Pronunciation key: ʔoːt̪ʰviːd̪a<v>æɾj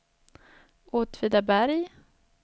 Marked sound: incorrect: b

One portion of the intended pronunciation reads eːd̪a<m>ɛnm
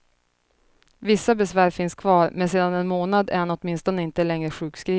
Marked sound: incorrect: n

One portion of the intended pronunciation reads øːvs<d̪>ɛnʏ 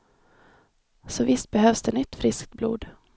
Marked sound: correct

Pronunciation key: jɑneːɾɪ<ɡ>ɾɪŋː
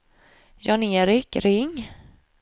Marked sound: incorrect: k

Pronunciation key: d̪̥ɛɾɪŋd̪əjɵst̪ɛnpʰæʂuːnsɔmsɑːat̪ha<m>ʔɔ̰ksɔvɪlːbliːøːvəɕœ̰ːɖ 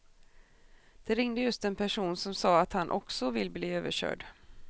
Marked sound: incorrect: n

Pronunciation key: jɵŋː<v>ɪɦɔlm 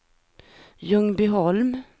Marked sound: incorrect: b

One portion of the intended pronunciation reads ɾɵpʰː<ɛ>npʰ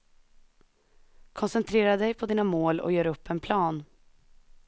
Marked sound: correct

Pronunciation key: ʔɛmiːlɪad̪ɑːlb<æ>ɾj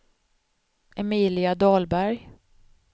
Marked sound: correct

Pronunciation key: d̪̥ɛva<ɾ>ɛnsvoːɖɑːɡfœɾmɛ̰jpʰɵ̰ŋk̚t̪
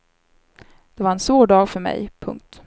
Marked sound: correct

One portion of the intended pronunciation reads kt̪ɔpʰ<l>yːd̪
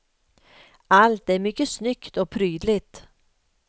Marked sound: incorrect: ɾ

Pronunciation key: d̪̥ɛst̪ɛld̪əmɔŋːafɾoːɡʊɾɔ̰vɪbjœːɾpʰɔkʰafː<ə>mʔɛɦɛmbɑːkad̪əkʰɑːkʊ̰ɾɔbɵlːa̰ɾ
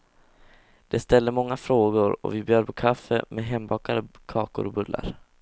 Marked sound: correct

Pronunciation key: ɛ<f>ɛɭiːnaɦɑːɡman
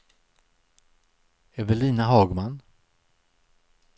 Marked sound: incorrect: v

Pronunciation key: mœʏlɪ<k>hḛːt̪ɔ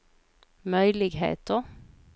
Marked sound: incorrect: ɡ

